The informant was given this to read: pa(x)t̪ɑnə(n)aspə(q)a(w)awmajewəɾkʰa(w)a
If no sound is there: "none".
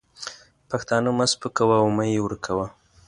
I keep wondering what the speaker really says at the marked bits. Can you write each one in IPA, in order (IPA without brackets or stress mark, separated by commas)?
x, m, k, w, w